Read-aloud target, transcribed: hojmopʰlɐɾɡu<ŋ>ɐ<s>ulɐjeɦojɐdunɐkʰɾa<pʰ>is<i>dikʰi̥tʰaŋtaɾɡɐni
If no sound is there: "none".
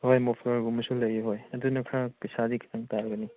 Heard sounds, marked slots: m, s, p, a

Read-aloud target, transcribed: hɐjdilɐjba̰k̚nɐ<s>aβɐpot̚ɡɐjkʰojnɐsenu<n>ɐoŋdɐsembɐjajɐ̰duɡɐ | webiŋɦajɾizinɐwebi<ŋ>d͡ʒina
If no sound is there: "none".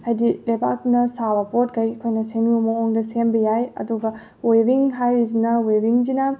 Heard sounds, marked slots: s, m, ŋ

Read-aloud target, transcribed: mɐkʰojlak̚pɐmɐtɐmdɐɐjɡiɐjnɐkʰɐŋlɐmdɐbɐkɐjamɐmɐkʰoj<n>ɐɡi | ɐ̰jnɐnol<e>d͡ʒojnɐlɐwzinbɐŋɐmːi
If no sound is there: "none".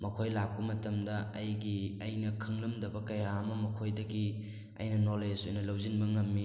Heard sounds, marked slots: d, e

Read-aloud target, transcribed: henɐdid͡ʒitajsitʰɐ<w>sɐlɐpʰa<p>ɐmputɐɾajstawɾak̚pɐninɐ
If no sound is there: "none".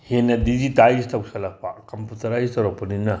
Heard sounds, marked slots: w, k

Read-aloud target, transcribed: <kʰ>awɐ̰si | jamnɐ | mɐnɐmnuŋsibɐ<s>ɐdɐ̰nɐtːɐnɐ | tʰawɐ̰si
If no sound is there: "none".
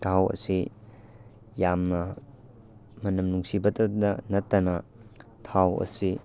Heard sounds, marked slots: tʰ, t

